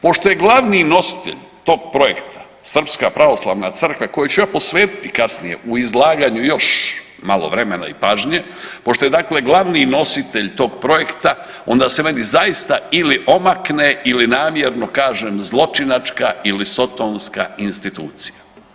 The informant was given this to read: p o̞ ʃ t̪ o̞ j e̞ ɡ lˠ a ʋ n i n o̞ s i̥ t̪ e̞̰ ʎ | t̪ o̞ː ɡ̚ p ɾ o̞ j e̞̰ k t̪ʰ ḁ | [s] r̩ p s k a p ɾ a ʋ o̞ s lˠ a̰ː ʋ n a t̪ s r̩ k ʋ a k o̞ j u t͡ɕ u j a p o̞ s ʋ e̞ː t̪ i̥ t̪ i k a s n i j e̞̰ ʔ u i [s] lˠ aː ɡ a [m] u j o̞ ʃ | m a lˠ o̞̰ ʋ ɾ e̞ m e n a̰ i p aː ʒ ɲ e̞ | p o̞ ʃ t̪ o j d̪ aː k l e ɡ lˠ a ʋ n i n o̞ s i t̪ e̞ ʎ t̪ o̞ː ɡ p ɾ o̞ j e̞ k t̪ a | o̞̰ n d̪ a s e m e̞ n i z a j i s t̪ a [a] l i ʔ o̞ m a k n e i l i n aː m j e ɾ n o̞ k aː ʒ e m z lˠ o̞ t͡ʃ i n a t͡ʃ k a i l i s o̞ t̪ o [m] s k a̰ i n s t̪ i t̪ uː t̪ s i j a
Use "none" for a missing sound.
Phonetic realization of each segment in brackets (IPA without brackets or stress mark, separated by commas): s, z, ɲ, i, n